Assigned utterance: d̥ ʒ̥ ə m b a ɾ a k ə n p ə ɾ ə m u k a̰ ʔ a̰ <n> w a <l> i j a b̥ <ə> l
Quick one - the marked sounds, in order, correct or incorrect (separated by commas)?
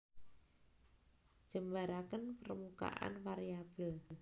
correct, incorrect, correct